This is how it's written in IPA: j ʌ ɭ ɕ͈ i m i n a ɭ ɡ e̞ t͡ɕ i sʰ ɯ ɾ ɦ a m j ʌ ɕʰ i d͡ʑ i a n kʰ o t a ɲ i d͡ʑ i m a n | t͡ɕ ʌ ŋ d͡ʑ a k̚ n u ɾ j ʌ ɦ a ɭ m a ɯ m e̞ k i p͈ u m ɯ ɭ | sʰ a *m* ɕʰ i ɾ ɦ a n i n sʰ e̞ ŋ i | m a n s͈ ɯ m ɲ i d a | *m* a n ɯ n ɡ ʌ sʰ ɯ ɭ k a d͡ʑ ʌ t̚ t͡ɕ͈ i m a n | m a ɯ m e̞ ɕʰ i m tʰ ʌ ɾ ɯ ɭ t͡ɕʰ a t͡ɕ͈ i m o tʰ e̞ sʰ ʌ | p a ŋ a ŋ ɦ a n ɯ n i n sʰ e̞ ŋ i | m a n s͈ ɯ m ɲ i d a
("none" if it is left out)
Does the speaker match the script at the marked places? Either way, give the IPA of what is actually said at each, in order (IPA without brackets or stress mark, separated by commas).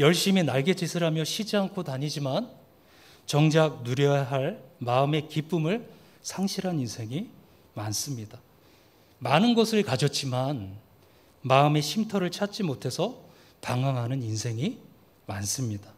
ŋ, m